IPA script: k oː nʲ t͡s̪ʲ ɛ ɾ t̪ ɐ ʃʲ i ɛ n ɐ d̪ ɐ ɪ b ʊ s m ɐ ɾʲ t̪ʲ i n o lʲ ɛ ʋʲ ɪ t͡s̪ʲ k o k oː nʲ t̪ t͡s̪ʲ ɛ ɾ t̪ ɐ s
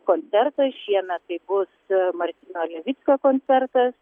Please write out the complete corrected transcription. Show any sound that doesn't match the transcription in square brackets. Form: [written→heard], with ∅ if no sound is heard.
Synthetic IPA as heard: k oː nʲ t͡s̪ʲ ɛ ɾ t̪ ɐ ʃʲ i ɛ n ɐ [d̪→t̪] ɐ ɪ b ʊ s m ɐ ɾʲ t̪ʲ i n o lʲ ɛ ʋʲ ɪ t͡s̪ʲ k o k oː nʲ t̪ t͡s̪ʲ ɛ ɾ t̪ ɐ s